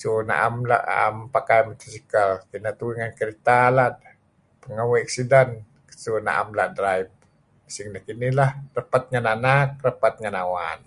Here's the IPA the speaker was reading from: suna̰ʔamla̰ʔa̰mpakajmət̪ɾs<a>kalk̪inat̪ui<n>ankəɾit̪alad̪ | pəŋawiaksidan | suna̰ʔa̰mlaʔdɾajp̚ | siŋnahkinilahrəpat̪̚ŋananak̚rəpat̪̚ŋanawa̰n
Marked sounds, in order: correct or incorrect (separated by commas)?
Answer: incorrect, incorrect